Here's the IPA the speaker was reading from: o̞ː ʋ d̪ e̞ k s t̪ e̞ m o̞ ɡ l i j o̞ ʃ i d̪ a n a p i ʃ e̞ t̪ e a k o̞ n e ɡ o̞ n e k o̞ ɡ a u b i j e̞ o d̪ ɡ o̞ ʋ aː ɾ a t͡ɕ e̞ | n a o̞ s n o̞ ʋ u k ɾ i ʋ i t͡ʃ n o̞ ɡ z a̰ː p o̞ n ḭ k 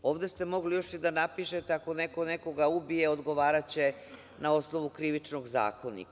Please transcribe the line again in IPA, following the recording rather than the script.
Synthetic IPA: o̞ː ʋ d̪ e̞ s t̪ e̞ m o̞ ɡ l i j o̞ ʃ i d̪ a n a p i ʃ e̞ t̪ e a k o̞ n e k o̞ n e k o̞ ɡ a u b i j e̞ o d̪ ɡ o̞ ʋ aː ɾ a t͡ɕ e̞ | n a o̞ s n o̞ ʋ u k ɾ i ʋ i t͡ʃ n o̞ ɡ z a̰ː k o̞ n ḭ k